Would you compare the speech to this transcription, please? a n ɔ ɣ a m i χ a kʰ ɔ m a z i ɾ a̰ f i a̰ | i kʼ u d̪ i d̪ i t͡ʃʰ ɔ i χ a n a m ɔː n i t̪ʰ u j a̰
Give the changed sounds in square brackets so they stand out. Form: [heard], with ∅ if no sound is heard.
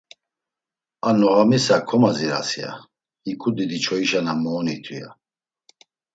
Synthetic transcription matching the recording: a n ɔ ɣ a m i [s] a kʰ ɔ m a z i ɾ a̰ [s] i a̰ | i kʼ u d̪ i d̪ i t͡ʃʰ ɔ i [ʃ] a n a m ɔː n i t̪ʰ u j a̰